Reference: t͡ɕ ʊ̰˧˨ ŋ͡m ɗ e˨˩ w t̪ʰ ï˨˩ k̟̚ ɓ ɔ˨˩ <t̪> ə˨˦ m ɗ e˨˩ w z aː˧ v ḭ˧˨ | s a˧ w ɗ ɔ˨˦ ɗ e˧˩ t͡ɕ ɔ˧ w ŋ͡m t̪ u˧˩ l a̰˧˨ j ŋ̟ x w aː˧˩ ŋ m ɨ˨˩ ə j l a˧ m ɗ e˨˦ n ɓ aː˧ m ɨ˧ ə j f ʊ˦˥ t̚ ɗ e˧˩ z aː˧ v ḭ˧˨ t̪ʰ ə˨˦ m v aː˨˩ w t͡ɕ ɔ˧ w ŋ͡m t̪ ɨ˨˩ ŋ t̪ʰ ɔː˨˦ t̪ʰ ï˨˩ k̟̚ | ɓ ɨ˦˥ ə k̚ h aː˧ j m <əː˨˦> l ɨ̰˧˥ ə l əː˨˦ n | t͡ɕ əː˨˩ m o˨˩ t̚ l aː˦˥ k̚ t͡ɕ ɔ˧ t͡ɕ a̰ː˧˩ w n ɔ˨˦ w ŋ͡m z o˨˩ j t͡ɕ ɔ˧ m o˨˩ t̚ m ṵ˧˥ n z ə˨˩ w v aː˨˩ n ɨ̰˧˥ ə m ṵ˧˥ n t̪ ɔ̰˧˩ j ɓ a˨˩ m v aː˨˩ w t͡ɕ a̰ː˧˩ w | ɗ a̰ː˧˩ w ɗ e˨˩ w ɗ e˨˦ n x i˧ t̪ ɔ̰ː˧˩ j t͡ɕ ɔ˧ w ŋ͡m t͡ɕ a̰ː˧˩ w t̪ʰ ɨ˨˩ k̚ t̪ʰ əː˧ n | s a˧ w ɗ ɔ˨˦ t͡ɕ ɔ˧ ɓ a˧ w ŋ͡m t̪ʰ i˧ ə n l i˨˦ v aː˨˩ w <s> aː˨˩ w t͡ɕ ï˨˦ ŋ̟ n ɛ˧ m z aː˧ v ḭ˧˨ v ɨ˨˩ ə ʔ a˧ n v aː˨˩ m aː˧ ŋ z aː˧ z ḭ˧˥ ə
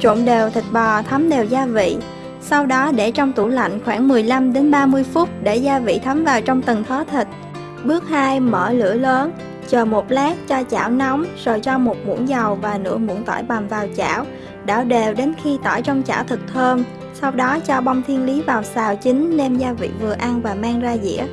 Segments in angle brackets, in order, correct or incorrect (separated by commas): incorrect, incorrect, correct